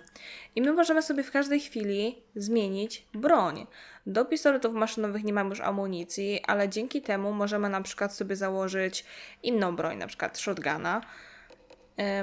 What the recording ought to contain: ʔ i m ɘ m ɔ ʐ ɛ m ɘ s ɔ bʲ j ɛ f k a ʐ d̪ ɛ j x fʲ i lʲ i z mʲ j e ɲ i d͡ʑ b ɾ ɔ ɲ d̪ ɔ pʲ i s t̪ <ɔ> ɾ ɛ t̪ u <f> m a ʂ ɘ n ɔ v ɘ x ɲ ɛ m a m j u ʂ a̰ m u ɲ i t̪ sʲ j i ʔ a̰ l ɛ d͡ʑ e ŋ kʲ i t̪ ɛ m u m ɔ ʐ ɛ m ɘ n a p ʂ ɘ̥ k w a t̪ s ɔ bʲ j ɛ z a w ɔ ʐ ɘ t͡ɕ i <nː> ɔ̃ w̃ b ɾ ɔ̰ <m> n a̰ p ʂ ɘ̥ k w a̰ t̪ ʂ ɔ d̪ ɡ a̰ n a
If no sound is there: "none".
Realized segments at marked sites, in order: ɔ, f, nː, ɲ

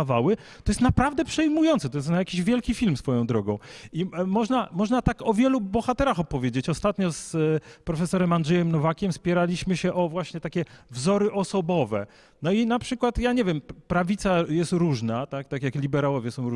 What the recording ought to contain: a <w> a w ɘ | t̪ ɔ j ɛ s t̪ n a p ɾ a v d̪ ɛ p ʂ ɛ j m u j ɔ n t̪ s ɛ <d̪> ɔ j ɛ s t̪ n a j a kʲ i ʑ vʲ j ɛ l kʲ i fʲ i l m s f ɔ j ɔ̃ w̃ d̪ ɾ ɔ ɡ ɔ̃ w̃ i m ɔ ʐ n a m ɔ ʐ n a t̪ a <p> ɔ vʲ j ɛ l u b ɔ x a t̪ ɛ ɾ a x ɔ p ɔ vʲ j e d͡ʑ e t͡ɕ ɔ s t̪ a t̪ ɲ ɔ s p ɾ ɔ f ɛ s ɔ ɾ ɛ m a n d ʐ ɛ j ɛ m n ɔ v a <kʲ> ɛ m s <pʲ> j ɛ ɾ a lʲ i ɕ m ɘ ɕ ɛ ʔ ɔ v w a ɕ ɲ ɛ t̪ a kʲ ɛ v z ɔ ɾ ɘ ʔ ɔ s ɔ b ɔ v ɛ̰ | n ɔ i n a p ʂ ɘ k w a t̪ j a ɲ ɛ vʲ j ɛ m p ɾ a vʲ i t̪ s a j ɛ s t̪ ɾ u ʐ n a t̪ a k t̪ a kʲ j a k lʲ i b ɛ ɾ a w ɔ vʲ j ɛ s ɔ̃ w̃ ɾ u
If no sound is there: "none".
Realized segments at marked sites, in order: v, t̪, k, kʲ, pʲ

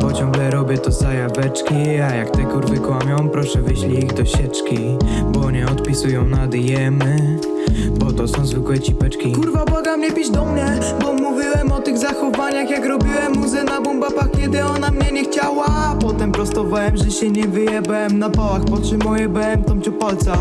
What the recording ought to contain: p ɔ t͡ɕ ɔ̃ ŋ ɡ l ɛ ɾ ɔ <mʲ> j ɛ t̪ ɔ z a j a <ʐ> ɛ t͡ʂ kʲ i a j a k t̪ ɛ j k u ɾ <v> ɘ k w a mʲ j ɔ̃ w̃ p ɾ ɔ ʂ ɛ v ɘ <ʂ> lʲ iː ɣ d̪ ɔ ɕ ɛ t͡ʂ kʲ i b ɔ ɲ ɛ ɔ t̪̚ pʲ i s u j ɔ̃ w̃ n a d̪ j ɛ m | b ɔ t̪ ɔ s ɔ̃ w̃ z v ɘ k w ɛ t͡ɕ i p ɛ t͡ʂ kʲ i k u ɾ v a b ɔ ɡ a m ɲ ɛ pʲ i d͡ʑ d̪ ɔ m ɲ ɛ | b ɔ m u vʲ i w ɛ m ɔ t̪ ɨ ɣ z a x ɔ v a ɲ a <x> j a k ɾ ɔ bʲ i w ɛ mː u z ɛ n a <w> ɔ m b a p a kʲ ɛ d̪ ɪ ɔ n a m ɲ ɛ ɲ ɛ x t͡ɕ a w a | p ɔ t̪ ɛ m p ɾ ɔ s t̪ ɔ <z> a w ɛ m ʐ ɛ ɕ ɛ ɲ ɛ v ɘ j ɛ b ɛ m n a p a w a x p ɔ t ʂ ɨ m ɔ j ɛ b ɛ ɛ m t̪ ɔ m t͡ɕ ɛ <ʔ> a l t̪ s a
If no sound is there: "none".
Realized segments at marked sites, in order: bʲ, v, v, ɕ, x, b, v, p

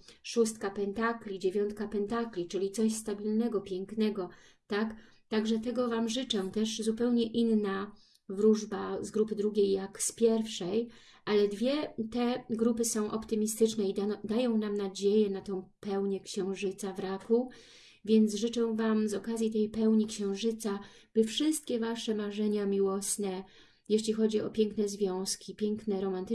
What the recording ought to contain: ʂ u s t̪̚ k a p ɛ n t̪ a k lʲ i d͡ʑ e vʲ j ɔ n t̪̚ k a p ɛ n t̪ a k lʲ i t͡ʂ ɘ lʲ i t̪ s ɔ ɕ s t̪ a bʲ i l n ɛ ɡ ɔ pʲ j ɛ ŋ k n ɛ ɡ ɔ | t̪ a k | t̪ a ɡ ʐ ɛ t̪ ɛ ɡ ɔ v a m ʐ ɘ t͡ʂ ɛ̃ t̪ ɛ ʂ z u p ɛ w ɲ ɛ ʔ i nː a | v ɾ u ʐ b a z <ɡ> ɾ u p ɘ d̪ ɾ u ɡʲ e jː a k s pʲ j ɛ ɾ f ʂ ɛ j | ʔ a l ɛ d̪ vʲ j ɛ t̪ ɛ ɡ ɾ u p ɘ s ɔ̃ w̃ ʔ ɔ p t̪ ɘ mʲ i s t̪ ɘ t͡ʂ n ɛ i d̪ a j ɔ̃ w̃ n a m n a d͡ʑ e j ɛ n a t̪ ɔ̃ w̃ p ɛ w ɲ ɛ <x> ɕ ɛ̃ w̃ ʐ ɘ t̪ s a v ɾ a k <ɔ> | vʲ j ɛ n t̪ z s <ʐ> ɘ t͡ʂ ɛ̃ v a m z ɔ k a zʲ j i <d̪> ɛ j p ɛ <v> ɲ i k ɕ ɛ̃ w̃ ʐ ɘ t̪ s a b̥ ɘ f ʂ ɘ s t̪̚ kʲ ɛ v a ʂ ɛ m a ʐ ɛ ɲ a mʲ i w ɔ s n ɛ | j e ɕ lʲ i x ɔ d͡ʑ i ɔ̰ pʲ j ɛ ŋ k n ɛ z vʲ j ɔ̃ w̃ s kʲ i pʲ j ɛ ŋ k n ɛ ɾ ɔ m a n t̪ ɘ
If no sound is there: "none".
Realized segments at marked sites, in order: ɡ, k, u, ʐ, t̪, w

